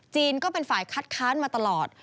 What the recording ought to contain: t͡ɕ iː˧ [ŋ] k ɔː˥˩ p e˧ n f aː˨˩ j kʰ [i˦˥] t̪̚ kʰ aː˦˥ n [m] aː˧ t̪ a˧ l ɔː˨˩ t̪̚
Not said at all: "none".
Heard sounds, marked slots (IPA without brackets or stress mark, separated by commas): n, a˦˥, m